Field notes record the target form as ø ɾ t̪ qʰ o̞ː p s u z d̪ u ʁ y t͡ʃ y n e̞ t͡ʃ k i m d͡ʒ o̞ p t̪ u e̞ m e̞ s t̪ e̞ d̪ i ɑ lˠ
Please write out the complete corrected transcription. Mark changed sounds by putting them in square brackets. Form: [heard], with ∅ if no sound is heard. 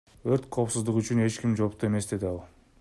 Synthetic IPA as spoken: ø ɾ t̪ qʰ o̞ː p s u z d̪ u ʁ y t͡ʃ y n e̞ t͡ʃ k i m d͡ʒ o̞ p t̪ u e̞ m e̞ s [d̪] e̞ d̪ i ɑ lˠ